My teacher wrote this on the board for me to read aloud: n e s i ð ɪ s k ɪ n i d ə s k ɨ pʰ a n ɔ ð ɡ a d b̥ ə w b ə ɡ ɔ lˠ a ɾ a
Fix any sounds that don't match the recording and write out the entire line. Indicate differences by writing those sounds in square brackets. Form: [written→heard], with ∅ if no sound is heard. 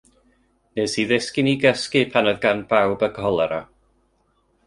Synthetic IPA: n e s i ð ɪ s k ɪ n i [d→ɡ] ə s k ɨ pʰ a n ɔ ð ɡ a [d→n] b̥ [ə→a] w b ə ɡ ɔ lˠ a ɾ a